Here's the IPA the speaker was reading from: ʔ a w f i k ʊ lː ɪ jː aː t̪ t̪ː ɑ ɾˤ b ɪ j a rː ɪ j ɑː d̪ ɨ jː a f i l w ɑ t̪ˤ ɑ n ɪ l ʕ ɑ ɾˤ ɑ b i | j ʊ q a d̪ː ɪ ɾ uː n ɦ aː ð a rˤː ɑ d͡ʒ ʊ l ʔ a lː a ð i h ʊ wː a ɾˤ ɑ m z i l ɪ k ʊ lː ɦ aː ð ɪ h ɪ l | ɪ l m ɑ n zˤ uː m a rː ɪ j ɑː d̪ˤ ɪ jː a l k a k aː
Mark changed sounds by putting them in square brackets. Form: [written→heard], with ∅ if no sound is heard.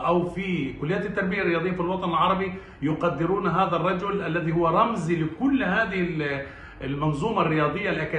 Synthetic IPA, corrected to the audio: ʔ a w f i k ʊ lː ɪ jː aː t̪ t̪ː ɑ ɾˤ b ɪ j a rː ɪ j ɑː d̪ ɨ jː a f i l w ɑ t̪ˤ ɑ n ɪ l ʕ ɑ ɾˤ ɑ b i | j ʊ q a d̪ː ɪ ɾ uː n ɦ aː ð a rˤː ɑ d͡ʒ ʊ l ʔ a lː a ð i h ʊ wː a ɾˤ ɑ m z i l ɪ k ʊ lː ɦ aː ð ɪ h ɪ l | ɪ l m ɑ n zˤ uː m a rː ɪ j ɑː d̪ˤ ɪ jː a l [k→ʔ] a k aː

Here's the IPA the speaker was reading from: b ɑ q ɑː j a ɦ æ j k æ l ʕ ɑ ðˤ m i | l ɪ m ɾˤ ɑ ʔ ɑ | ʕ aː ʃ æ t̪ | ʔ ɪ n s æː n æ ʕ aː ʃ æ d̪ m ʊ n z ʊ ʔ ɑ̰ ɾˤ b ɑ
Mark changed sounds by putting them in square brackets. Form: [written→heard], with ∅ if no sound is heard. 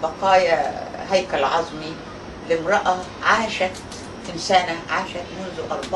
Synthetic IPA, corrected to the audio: b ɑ q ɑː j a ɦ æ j k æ l ʕ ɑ [ðˤ→zˤ] m i | l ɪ m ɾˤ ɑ ʔ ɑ | ʕ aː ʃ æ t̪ | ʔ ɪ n s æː n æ ʕ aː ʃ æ [d̪→t̪] m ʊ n z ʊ ʔ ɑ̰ ɾˤ b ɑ

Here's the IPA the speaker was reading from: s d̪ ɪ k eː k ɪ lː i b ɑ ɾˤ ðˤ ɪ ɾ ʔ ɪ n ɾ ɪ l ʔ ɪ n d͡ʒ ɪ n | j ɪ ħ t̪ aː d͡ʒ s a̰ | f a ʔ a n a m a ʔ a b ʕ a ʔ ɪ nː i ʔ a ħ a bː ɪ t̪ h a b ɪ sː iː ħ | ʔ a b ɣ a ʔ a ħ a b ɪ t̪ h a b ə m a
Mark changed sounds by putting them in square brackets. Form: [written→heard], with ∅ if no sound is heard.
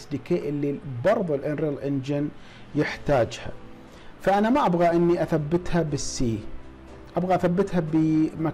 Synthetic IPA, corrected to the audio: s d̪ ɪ k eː [k→ʔ] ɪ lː i b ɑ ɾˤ ðˤ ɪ [ɾ→l] ʔ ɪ n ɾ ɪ l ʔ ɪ n d͡ʒ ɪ n | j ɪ ħ t̪ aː d͡ʒ [s→h] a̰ | f a ʔ a n a m a ʔ a b [ʕ→ɣ] a ʔ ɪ nː i ʔ a [ħ→θ] a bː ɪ t̪ h a b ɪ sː iː [ħ→∅] | ʔ a b ɣ a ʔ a [ħ→θ] a [b→bː] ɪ t̪ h a b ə m a

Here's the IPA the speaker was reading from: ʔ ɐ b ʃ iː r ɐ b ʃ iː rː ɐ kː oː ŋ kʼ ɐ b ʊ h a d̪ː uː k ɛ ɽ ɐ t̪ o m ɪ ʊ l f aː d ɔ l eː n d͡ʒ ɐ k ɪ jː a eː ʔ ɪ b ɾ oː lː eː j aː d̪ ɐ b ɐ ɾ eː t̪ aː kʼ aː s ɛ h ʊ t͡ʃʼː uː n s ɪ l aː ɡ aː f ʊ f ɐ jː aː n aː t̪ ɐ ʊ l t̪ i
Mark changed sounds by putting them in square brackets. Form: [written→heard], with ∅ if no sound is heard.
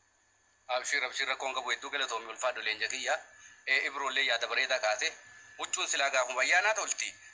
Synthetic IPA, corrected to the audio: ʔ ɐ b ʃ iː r ɐ b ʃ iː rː ɐ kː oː ŋ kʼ ɐ b ʊ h [a→ɛ] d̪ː uː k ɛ [ɽ→l] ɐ t̪ o m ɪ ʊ l f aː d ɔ l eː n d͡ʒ ɐ k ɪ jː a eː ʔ ɪ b ɾ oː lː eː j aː d̪ ɐ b ɐ ɾ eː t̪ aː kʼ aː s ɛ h ʊ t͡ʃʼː uː n s ɪ l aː ɡ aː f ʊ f ɐ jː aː n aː t̪ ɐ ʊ l t̪ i

